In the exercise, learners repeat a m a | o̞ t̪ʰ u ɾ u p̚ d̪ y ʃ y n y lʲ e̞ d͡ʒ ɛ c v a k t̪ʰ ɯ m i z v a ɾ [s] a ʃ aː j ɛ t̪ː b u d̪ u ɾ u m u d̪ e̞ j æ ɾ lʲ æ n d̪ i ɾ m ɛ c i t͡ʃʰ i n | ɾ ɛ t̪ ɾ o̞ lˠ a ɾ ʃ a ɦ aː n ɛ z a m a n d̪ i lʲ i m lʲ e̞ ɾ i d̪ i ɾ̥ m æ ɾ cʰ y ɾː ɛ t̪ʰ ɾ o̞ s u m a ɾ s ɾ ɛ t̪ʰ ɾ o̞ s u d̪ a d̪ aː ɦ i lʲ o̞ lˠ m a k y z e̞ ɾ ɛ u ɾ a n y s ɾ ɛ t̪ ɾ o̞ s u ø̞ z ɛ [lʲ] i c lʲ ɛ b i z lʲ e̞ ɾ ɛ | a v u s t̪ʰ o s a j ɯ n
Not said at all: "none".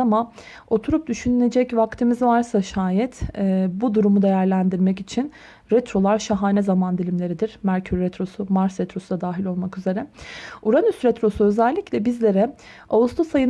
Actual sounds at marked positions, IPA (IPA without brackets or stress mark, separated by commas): s, lʲː